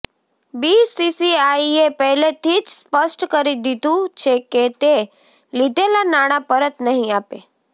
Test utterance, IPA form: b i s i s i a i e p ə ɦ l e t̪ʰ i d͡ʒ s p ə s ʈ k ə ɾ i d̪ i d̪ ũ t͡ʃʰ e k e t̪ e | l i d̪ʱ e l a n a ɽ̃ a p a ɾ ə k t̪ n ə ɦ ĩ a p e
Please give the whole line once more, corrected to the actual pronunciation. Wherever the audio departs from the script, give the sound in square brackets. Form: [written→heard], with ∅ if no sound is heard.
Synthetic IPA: b i s i s i a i e p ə ɦ l e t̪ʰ i d͡ʒ s p ə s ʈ k ə ɾ i d̪ i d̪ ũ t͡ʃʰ e k e t̪ e | l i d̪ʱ e l a n a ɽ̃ a p [a→ə] ɾ ə [k→∅] t̪ n ə ɦ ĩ a p e